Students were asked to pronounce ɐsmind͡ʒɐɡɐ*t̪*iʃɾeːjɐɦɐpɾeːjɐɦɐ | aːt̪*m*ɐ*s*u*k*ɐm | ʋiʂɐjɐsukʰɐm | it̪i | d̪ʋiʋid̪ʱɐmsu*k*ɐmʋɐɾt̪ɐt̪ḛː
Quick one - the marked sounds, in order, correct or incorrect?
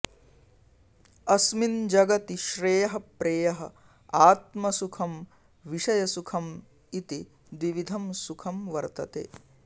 correct, correct, correct, incorrect: kʰ, incorrect: kʰ

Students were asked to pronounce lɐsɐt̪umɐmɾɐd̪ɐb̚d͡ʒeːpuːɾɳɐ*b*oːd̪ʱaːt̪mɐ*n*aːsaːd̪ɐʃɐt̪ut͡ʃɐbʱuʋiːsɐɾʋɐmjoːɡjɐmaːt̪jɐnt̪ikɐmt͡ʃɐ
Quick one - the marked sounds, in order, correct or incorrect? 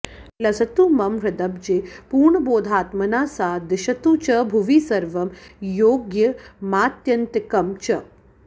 correct, correct

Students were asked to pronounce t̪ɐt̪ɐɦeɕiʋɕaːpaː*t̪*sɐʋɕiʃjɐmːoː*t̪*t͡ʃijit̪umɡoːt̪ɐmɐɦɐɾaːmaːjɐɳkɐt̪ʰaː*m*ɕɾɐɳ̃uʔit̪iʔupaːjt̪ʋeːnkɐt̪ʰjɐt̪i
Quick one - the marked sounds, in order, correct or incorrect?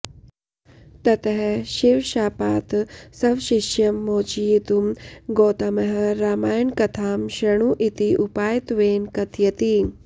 correct, incorrect: none, correct

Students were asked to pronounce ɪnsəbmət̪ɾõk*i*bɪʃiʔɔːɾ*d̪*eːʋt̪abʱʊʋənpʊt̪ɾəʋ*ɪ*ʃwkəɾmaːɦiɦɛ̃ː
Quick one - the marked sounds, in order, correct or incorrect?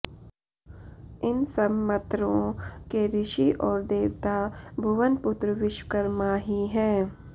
incorrect: e, correct, correct

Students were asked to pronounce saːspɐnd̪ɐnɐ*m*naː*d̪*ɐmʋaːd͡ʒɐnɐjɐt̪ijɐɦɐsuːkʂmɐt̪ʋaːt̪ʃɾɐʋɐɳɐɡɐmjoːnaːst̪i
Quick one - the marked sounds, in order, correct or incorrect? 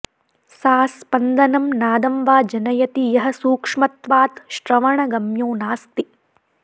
correct, correct

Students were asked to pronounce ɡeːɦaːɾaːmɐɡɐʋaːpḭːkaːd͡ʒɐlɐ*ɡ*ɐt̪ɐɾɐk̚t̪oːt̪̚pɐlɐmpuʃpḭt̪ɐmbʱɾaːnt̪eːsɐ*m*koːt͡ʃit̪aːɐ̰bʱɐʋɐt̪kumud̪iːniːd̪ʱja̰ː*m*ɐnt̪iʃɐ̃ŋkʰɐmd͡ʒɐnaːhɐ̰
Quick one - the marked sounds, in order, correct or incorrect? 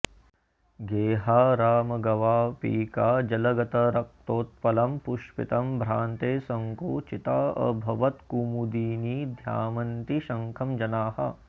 correct, incorrect: ŋ, correct

